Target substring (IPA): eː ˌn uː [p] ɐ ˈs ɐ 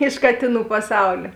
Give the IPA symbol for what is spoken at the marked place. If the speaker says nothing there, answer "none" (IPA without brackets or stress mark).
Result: p